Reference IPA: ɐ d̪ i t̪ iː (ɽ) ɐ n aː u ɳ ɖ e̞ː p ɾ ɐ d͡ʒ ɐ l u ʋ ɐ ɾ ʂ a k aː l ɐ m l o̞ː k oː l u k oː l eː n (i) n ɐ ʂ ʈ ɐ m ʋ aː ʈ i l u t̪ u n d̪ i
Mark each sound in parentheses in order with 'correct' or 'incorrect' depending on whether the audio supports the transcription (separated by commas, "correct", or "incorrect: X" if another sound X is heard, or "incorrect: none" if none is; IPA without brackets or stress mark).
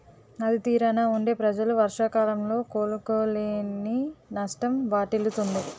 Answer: incorrect: ɾ, correct